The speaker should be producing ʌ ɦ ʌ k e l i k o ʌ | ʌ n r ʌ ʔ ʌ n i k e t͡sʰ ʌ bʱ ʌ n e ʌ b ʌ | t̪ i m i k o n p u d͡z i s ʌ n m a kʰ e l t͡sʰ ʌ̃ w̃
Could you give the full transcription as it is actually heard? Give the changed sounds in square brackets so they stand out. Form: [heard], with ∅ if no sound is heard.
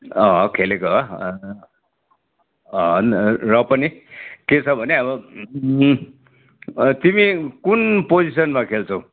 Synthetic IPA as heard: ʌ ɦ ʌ [kʰ] e l [e] k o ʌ | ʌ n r ʌ [p] ʌ n i k e t͡sʰ ʌ bʱ ʌ n e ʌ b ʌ | t̪ i m i k [u] n p [o] d͡z i s ʌ n m a kʰ e l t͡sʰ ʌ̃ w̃